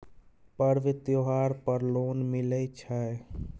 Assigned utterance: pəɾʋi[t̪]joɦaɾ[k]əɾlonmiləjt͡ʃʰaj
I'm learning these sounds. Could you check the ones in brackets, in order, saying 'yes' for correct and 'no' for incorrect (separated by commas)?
yes, no